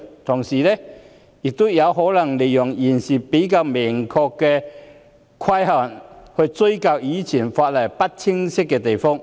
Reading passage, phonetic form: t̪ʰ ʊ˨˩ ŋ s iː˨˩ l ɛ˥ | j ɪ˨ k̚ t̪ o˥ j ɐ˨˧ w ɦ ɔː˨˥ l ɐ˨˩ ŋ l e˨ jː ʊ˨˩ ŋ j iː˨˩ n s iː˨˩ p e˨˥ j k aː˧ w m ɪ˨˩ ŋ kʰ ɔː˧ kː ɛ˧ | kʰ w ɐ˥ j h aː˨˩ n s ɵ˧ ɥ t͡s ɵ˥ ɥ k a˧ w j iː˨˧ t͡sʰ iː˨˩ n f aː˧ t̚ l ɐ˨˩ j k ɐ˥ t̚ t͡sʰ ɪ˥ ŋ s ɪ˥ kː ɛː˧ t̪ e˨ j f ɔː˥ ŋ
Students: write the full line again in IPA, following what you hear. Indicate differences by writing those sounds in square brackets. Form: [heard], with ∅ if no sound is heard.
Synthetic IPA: t̪ʰ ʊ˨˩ ŋ s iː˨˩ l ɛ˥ | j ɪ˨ k̚ t̪ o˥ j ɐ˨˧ w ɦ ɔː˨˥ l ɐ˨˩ ŋ l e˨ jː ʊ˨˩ ŋ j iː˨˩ n s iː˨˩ p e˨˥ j k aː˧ w m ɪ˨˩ ŋ kʰ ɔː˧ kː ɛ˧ | kʰ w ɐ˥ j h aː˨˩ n [h] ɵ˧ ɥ t͡s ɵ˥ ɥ k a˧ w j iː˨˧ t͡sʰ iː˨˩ n f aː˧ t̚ l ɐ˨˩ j [p] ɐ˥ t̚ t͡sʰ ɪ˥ ŋ s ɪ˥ kː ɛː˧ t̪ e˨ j f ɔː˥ ŋ

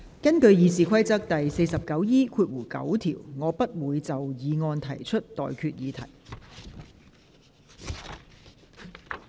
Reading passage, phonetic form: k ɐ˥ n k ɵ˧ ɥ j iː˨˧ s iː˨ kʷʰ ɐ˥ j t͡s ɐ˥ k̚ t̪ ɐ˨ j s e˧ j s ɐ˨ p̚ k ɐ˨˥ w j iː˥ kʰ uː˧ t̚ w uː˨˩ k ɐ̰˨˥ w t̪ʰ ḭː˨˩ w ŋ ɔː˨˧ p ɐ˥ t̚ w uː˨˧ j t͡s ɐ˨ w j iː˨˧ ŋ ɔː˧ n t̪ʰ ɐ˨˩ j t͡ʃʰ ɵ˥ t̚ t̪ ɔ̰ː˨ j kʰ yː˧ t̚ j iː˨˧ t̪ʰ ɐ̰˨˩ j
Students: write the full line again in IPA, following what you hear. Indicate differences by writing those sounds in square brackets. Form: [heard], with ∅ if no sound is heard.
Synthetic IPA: k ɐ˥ n k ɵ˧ ɥ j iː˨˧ s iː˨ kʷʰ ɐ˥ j t͡s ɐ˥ k̚ t̪ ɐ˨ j s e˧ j s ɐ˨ p̚ k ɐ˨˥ w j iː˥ kʰ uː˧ t̚ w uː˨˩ k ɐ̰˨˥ w t̪ʰ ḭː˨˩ w ŋ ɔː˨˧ p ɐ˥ t̚ w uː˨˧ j t͡s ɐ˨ w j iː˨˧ ŋ ɔː˧ n t̪ʰ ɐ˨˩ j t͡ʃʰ ɵ˥ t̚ t̪ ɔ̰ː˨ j kʰ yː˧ t̚ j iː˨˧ t̪ʰ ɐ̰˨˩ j

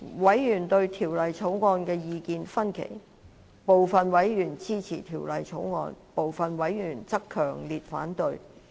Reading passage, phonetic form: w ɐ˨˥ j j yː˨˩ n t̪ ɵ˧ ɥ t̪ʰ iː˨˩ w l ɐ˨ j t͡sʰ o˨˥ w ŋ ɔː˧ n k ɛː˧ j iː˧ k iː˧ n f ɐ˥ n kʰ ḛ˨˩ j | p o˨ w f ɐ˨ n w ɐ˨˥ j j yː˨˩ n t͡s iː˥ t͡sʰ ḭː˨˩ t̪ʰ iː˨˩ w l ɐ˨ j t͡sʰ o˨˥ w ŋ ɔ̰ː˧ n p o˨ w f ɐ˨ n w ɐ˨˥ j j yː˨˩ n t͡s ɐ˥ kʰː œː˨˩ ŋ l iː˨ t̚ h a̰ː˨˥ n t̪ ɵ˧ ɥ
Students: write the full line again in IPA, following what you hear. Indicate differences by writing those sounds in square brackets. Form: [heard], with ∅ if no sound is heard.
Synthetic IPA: w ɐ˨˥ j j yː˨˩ n t̪ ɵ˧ ɥ t̪ʰ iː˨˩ w l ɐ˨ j t͡sʰ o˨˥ w ŋ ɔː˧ n k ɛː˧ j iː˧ k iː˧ n f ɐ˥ n kʰ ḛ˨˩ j | p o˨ w f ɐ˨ n w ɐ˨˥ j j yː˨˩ n t͡s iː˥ t͡sʰ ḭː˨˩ t̪ʰ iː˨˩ w l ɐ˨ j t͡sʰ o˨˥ w ŋ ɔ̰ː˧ n p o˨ w f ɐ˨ n w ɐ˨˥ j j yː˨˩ n t͡s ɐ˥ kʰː œː˨˩ ŋ l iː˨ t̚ [f] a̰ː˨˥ n t̪ ɵ˧ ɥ

